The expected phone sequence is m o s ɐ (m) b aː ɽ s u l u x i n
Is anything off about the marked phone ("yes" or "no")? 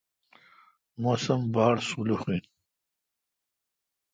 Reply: no